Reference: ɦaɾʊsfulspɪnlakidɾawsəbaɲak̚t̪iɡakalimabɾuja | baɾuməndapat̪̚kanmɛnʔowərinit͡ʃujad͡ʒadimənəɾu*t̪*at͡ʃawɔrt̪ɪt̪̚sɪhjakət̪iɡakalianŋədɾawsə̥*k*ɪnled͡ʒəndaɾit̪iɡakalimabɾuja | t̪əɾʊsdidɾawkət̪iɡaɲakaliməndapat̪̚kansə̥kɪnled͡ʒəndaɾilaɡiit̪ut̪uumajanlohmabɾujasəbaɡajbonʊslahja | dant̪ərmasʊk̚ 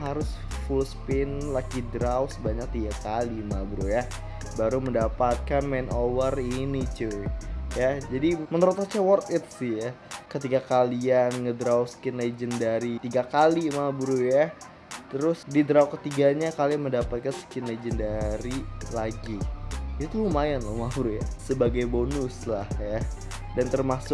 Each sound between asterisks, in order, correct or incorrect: correct, correct

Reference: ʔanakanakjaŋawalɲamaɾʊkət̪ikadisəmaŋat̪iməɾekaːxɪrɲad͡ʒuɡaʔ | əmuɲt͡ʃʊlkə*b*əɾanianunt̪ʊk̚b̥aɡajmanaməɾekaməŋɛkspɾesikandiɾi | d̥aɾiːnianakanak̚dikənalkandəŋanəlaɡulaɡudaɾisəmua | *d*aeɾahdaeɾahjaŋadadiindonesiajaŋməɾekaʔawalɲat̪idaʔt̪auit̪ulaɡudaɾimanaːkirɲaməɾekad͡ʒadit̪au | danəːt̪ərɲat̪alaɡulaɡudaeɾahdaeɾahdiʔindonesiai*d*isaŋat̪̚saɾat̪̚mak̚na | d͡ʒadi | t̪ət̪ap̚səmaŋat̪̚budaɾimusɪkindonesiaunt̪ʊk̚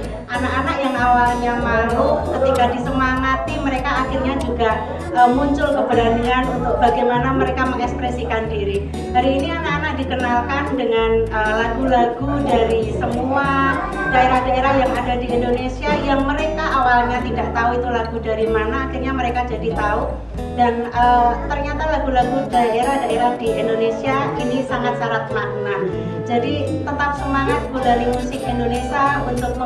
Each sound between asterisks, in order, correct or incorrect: correct, correct, incorrect: n

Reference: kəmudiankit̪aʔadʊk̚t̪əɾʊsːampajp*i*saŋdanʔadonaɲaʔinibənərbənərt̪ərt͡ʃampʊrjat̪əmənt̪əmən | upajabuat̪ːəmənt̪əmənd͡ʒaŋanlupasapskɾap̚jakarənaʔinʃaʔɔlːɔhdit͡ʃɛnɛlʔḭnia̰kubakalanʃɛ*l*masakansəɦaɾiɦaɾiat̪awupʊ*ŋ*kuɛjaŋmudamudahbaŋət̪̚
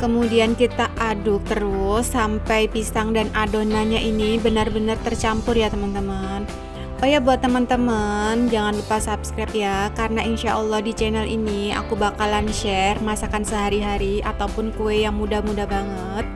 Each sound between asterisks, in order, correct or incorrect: correct, incorrect: r, incorrect: n

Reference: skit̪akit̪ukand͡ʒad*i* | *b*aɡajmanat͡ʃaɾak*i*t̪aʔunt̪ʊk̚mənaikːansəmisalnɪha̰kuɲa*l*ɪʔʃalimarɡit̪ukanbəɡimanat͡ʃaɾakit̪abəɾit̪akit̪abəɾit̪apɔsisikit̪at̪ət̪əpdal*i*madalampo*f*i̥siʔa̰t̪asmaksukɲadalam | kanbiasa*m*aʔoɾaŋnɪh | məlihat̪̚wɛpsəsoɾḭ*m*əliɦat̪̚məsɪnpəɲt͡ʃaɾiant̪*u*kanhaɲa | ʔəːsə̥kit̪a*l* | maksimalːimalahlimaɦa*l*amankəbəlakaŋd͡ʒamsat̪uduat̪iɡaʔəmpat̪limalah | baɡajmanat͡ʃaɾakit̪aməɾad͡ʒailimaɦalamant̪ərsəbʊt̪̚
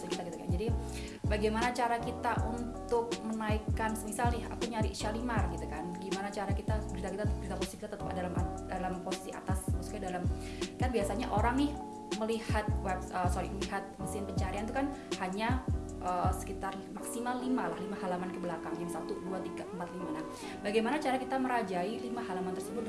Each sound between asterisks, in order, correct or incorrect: correct, correct, correct, incorrect: ɾ, incorrect: a, incorrect: s, incorrect: ɲ, correct, correct, incorrect: r, correct

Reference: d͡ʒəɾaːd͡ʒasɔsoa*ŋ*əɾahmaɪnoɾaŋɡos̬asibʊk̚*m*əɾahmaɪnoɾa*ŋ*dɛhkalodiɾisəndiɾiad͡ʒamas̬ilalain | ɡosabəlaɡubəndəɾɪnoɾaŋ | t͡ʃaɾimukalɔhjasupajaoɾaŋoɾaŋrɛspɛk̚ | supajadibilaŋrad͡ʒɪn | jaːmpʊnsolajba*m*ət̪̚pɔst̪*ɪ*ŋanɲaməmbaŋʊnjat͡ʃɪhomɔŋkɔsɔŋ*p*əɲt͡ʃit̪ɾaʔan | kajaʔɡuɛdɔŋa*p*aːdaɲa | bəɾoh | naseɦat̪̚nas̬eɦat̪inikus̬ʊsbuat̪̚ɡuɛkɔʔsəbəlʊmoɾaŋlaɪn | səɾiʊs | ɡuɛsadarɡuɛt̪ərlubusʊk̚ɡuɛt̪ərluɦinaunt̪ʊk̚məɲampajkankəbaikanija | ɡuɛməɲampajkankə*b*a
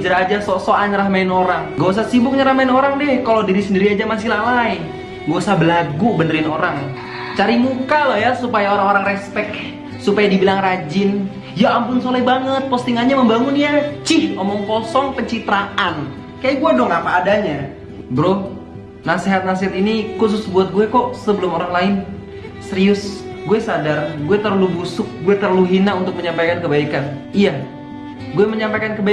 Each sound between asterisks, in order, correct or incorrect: incorrect: ɲ, incorrect: ɲ, correct, incorrect: ŋ, incorrect: i, correct, correct, correct

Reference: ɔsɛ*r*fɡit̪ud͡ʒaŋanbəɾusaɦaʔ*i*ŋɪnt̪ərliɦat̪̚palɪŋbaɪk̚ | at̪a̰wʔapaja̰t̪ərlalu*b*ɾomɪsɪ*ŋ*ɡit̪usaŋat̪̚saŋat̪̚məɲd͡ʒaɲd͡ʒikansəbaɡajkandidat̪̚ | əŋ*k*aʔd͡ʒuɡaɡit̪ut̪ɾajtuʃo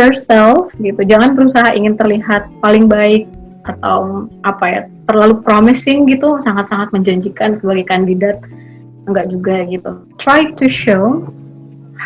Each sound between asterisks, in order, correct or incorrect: incorrect: l, correct, incorrect: p, correct, incorrect: ɡ

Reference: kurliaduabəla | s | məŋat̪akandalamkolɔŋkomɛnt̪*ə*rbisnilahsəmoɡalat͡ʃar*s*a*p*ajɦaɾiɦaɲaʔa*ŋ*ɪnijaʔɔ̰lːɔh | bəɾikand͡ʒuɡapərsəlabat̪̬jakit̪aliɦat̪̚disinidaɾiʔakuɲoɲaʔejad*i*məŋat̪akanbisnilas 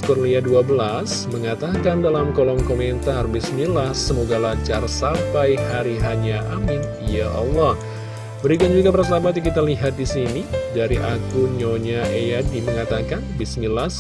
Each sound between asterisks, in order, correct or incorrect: incorrect: a, correct, correct, incorrect: m, correct

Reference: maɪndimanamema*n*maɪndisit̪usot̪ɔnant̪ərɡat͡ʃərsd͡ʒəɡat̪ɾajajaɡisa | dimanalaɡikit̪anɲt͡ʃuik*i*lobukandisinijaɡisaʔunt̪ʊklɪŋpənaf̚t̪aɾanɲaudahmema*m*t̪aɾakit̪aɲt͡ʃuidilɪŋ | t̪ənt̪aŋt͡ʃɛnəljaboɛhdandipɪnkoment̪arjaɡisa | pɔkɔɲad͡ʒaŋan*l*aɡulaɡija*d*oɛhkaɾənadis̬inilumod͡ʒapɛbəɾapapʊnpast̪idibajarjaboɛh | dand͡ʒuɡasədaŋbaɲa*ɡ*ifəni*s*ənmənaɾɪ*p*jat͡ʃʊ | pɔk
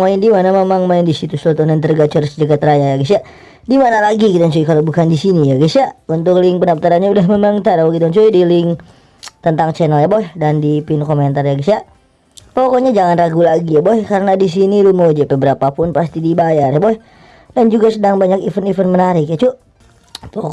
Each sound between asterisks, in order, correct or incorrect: incorrect: ŋ, incorrect: a, incorrect: ŋ, incorrect: r, incorrect: b, incorrect: k, incorrect: f, incorrect: k

